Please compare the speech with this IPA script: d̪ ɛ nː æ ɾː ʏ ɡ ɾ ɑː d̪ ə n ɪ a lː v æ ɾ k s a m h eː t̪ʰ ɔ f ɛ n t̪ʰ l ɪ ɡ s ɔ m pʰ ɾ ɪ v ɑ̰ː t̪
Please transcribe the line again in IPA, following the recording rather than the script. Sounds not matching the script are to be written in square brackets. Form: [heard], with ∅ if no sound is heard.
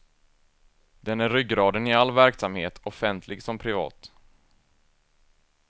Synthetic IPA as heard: d̪ ɛ [n] æ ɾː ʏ ɡ ɾ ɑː d̪ ə n ɪ a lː v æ ɾ k s a m h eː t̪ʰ ɔ f ɛ n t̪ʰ l ɪ ɡ s ɔ m pʰ ɾ ɪ v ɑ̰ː t̪